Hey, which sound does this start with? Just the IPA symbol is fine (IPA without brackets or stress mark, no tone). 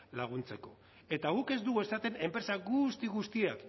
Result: l